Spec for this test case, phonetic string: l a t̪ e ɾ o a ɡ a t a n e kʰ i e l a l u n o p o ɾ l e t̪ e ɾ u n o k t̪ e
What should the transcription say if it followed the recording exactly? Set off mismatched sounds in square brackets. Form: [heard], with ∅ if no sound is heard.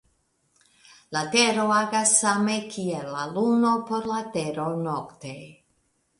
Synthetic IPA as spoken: l a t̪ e ɾ o a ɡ a [s] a [m] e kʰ i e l a l u n o p o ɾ l [a] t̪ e ɾ [o] n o k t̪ e